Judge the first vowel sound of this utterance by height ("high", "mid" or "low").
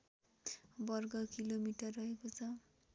mid